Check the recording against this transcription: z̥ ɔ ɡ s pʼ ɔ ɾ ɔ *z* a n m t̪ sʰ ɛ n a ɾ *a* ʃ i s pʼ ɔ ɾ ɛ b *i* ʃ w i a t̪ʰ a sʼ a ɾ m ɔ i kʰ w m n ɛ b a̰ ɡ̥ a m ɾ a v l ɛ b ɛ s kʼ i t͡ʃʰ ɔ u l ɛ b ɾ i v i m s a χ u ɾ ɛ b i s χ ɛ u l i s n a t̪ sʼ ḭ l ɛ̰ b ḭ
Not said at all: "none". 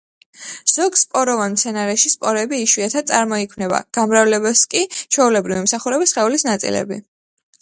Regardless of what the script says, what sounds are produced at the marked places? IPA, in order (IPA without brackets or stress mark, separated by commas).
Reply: v, ɛ, iː